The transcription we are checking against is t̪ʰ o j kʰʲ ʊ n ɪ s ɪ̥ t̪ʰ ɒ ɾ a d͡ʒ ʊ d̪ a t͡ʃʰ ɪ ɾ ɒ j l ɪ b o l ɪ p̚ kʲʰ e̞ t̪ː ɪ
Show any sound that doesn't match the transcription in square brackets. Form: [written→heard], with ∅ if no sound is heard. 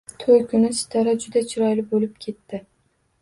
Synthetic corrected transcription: t̪ʰ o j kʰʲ ʊ n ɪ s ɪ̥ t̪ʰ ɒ ɾ a d͡ʒ ʊ d̪ a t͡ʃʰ ɪ ɾ ɒ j l ɪ b o l ɪ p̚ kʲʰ e̞ t̪ː ɪ